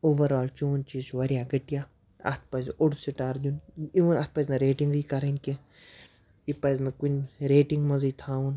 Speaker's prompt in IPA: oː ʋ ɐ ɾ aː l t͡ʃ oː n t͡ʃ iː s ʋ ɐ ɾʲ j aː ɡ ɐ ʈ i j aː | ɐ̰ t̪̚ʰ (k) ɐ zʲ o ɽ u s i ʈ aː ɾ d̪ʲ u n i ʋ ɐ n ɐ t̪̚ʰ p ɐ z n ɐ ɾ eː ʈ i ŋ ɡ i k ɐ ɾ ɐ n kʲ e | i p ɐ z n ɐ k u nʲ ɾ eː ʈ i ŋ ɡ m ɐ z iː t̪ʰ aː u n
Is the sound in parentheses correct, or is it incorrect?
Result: incorrect